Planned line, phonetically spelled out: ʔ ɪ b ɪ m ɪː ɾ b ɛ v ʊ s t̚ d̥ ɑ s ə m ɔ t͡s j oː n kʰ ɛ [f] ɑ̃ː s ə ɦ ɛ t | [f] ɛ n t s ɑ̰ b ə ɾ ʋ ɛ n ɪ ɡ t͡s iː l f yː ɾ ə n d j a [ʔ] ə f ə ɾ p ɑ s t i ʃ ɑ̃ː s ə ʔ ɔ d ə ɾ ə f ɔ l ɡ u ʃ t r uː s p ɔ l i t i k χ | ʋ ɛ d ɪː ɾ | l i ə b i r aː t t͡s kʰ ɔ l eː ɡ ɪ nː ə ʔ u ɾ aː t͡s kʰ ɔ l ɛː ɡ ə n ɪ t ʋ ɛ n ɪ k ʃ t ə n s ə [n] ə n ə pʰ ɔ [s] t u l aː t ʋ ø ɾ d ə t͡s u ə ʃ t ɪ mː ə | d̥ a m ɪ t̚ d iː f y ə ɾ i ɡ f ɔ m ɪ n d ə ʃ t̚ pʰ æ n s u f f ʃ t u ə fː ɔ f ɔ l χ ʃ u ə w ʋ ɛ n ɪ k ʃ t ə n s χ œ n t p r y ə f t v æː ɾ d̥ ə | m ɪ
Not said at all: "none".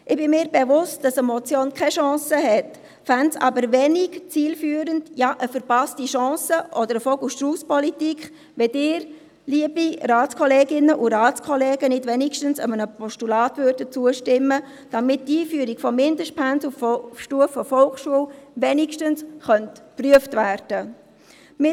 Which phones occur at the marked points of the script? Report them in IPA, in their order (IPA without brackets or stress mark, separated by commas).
ʃ, f, ʔ, m, ʃ